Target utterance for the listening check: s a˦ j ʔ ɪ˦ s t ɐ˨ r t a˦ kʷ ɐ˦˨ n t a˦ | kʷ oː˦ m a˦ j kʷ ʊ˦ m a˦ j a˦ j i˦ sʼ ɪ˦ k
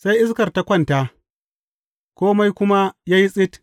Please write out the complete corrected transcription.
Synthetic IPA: s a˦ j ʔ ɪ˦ s k ɐ˨ r t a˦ kʷ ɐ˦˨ n t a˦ | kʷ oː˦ m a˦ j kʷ ʊ˦ m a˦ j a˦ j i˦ sʼ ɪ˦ t

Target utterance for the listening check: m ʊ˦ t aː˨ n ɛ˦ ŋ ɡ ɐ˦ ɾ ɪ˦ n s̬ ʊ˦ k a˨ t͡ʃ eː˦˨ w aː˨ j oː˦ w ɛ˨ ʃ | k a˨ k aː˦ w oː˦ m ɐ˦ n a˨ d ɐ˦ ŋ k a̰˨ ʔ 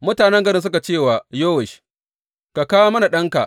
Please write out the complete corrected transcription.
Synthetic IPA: m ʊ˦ t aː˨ n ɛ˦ ŋ ɡ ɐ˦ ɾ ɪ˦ n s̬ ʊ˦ k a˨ t͡ʃ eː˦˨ w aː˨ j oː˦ w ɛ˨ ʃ | k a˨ k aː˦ w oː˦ m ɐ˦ n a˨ ɗ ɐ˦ ŋ k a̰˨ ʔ

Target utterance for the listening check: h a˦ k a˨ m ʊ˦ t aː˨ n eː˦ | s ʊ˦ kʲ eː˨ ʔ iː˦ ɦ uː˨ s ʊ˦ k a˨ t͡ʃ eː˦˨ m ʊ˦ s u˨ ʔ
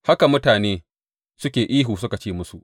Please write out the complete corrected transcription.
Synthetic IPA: h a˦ k a˨ m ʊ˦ t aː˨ n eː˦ | s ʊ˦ kʲ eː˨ ʔ iː˦ ɦ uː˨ s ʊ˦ k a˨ t͡ʃ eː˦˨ m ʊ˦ s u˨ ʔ

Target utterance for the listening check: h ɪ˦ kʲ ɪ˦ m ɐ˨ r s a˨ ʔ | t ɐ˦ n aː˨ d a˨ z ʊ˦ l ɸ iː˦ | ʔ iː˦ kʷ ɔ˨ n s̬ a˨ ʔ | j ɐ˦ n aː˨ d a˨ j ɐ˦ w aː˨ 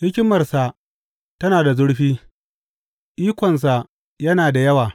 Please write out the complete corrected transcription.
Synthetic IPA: h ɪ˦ kʲ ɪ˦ m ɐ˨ r s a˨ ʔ | t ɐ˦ n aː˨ d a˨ z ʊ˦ ɽ ɸ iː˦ | ʔ iː˦ kʷ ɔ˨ n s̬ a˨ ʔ | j ɐ˦ n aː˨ d a˨ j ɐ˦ w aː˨

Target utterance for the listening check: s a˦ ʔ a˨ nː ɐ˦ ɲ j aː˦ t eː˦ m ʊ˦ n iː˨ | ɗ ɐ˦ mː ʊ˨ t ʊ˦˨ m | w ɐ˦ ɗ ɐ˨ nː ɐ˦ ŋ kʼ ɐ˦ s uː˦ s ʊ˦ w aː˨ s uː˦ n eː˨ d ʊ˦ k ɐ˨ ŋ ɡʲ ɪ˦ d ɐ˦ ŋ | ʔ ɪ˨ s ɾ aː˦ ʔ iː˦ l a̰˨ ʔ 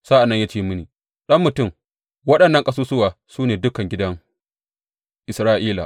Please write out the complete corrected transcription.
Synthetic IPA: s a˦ ʔ a˨ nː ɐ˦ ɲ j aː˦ t͡ʃ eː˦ m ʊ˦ n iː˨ | ɗ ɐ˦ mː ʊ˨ t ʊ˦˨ m | w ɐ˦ ɗ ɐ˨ nː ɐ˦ ŋ kʼ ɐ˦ s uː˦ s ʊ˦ w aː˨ s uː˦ n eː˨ d ʊ˦ k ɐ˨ ŋ ɡʲ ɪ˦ d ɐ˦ ŋ | ʔ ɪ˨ s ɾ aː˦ ʔ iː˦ l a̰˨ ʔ

